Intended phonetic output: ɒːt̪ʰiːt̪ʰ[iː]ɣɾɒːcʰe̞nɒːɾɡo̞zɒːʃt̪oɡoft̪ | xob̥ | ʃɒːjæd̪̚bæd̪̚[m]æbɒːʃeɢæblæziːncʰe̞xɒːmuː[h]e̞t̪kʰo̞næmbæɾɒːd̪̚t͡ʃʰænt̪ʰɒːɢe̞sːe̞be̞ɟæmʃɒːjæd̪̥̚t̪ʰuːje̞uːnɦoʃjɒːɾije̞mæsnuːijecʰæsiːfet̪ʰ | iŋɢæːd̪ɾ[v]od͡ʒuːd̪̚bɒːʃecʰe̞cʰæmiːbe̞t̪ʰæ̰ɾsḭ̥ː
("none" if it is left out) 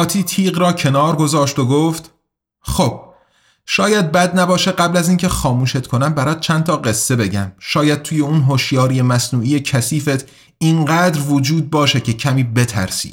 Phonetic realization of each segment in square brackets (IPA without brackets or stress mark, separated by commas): iː, n, ʃ, v